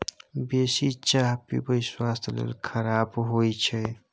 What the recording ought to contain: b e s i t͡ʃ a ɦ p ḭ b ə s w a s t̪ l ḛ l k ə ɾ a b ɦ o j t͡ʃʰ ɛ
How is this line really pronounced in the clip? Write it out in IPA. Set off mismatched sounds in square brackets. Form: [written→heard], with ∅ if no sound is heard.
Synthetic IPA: b e s i t͡ʃ a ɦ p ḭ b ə s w a s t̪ l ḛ l [k→kʰ] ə ɾ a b ɦ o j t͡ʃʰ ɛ